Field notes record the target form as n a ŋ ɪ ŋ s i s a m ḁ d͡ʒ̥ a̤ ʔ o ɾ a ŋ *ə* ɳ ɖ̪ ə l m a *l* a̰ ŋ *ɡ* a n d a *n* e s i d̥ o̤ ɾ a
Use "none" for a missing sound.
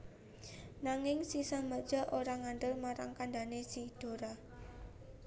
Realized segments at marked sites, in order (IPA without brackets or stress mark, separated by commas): a, ɾ, k, n